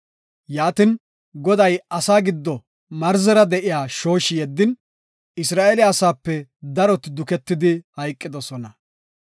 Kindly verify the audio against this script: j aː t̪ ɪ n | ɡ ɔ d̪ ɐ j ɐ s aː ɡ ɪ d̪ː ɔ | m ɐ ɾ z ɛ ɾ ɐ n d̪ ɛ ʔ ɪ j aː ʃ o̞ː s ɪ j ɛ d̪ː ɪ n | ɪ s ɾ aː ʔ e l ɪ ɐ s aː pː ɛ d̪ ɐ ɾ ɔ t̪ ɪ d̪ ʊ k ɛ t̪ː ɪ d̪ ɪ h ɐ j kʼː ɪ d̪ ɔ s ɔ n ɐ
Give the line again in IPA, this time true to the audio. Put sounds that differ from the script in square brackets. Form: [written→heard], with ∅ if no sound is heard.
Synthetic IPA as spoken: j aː t̪ ɪ n | ɡ ɔ d̪ ɐ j ɐ s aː ɡ ɪ d̪ː ɔ | m ɐ ɾ z ɛ ɾ ɐ [n→∅] d̪ ɛ ʔ ɪ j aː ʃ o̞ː [s→ʃ] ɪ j ɛ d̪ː ɪ n | ɪ s ɾ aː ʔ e l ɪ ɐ s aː pː ɛ d̪ ɐ ɾ ɔ t̪ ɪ d̪ ʊ k ɛ t̪ː ɪ d̪ ɪ h ɐ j kʼː ɪ d̪ ɔ s ɔ n ɐ